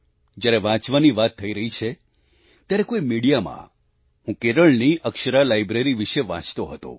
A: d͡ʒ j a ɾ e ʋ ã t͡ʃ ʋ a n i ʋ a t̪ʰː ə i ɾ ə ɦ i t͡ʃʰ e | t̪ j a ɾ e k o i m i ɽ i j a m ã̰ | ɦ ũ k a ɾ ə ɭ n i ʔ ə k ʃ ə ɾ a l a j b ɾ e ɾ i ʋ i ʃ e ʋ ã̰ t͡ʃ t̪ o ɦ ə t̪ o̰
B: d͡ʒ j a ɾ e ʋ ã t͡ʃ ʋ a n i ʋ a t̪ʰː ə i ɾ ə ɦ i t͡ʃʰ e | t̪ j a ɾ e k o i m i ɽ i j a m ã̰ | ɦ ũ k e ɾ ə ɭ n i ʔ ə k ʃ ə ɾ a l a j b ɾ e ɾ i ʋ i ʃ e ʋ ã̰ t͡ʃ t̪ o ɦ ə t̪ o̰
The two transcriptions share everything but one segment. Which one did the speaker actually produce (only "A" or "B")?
B